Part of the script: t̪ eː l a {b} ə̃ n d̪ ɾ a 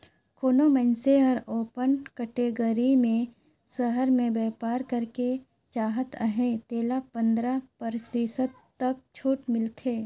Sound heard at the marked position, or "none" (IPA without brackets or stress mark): p